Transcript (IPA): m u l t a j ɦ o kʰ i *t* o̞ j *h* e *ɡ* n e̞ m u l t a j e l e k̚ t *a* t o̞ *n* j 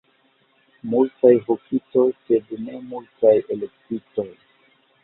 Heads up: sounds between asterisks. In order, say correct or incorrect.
correct, incorrect: s, incorrect: d, incorrect: i, incorrect: none

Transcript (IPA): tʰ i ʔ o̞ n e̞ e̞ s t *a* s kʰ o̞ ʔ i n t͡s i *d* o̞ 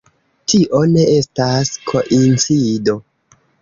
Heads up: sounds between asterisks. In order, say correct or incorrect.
correct, correct

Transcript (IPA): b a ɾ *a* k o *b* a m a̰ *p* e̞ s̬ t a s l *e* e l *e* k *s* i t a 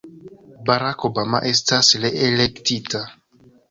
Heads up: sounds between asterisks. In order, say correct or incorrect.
correct, correct, incorrect: ʔ, correct, correct, incorrect: t

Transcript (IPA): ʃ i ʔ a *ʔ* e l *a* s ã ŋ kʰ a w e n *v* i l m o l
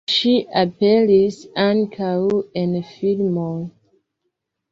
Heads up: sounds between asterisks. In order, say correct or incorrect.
incorrect: p, incorrect: i, incorrect: f

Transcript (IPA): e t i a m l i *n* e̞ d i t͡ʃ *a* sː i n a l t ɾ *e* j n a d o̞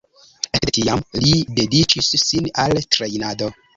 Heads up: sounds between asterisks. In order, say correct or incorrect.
incorrect: d, incorrect: i, correct

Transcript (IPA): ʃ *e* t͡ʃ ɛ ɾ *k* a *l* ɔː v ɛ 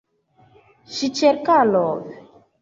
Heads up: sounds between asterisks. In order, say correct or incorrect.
incorrect: i, correct, correct

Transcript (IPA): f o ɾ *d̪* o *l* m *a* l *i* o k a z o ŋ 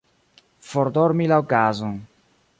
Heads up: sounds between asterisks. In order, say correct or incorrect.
correct, incorrect: ɾ, incorrect: i, incorrect: a

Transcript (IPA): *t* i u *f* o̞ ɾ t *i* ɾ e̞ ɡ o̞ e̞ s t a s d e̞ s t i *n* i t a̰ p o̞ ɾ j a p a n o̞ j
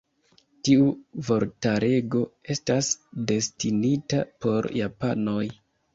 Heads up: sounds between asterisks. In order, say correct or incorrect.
correct, incorrect: v, incorrect: a, correct

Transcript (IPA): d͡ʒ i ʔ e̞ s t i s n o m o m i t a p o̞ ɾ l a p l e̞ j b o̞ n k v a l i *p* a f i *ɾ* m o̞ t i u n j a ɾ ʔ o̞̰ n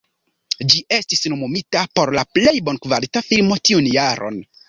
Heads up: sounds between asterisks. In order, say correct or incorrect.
incorrect: t, incorrect: l

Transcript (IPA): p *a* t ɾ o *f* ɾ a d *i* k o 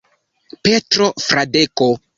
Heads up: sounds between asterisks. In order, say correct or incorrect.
incorrect: e, correct, incorrect: e

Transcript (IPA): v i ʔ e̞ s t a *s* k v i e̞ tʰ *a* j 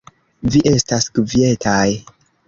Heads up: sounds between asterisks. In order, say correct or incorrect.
correct, correct

